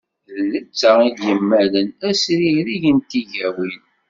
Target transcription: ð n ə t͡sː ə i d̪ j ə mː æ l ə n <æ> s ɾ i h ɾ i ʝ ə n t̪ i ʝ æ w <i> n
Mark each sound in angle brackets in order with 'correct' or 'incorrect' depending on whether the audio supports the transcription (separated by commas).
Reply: correct, correct